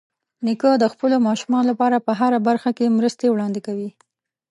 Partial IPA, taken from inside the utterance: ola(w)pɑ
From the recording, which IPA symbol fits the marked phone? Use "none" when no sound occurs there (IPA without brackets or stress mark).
none